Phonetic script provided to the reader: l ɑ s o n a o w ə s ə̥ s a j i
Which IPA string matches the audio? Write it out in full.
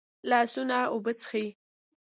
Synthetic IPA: l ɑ s u n a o b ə t͡s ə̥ x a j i